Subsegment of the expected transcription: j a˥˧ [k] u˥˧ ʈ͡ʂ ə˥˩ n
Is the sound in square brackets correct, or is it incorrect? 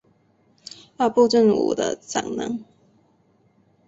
incorrect